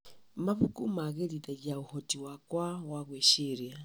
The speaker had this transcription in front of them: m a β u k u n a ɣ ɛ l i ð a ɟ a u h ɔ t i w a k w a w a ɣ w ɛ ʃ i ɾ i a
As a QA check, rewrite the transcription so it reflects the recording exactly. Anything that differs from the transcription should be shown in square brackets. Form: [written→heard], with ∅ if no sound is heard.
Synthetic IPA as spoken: m a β u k u [n→m] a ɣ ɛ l i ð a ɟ a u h ɔ t i w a k w a w a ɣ w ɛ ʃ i ɾ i a